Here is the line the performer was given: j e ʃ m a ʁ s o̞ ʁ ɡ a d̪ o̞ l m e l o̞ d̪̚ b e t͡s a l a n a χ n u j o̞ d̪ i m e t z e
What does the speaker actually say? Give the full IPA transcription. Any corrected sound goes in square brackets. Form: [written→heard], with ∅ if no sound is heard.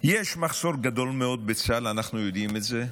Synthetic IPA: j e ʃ m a [ʁ→χ] s o̞ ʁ ɡ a d̪ o̞ l m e [l→∅] o̞ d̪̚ b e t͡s a l a n a χ n u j o̞ d̪ i m e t z e